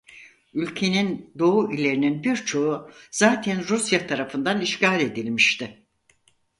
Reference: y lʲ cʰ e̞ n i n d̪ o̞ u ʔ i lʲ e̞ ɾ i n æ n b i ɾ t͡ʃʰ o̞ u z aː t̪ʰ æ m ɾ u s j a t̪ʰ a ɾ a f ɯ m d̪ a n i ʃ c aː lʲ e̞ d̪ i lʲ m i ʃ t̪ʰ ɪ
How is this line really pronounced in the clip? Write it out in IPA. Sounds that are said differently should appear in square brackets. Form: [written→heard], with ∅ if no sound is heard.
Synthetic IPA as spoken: y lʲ cʰ e̞ n i n d̪ o̞ u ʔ i lʲ e̞ ɾ i n [æ→i] n b i ɾ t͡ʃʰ o̞ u z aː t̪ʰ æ [m→n] ɾ u s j a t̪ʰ a ɾ a f ɯ [m→n] d̪ a n i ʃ c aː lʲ e̞ d̪ i lʲ m i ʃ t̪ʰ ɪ